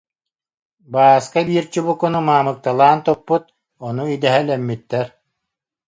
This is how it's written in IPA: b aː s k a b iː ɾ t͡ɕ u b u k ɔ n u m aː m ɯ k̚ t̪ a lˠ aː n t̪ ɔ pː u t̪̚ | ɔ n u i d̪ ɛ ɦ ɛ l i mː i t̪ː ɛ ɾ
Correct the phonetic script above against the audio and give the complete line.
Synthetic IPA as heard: b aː s k a b iː ɾ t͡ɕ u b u k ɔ n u m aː m ɯ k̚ t̪ a lˠ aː n t̪ ɔ pː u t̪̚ | ɔ n u i d̪ ɛ ɦ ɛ l ɛ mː i t̪ː ɛ ɾ